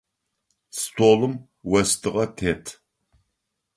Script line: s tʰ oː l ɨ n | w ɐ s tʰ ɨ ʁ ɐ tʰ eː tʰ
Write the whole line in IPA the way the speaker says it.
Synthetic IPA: s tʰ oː l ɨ m | w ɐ s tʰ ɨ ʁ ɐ tʰ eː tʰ